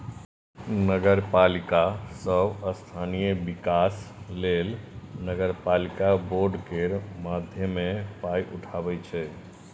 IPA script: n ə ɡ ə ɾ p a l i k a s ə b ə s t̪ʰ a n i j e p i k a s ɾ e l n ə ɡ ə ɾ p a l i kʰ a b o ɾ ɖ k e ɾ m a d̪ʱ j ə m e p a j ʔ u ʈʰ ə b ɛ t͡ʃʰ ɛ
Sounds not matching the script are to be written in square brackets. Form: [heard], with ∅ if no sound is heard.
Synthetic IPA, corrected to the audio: n ə ɡ ə ɾ p a l i k a s ə b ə s t̪ʰ a n i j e [b] i k a s [l] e l n ə ɡ ə ɾ p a l i [k] a b o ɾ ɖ k e ɾ m a d̪ʱ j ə m e p a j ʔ u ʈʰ [a] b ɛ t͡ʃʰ ɛ